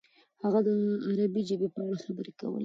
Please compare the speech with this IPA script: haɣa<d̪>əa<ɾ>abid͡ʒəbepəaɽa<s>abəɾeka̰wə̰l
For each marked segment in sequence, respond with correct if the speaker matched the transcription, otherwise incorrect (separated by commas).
correct, correct, incorrect